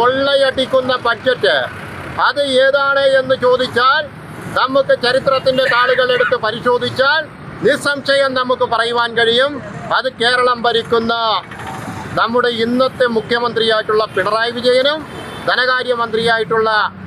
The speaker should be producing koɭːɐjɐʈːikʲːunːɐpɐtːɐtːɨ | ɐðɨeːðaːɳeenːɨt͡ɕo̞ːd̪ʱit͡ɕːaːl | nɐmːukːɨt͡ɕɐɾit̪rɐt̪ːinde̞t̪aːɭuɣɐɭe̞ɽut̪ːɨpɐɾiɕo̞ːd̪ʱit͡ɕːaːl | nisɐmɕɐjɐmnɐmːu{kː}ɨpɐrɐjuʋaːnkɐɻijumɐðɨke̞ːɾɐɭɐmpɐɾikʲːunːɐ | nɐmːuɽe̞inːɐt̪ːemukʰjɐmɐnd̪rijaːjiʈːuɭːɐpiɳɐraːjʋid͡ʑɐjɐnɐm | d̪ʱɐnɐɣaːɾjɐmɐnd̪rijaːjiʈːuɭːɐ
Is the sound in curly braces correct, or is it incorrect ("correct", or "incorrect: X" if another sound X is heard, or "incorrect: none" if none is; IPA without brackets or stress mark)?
correct